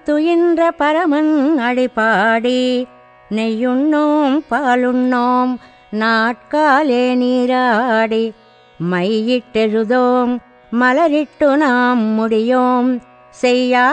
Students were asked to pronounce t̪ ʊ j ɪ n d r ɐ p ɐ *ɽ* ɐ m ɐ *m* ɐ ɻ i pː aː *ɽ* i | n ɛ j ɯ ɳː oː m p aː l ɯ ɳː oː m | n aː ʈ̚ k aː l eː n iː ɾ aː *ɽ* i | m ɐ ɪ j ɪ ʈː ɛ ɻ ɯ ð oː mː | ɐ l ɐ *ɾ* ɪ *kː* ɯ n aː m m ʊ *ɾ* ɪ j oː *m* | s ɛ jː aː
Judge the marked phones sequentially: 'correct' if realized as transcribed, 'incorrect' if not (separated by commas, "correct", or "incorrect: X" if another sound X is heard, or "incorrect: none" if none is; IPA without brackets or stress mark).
incorrect: ɾ, incorrect: n, correct, correct, correct, incorrect: ʈː, incorrect: ɽ, correct